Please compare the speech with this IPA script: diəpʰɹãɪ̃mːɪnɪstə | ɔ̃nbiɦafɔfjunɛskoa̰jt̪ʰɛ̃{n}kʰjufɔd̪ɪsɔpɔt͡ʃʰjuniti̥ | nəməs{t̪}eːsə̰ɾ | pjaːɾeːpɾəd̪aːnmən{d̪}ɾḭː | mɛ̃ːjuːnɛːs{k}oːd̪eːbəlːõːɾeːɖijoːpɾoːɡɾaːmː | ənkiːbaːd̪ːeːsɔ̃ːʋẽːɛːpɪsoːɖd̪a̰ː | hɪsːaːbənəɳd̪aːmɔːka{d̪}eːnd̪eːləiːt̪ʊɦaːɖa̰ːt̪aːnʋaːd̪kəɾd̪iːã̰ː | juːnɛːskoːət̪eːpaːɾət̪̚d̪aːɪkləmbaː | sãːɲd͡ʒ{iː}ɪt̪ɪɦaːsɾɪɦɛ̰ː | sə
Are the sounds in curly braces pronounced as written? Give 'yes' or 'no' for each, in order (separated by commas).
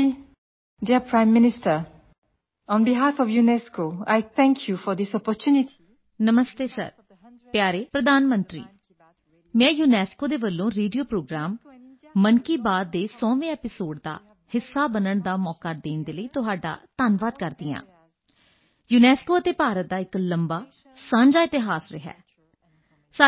no, yes, no, yes, yes, no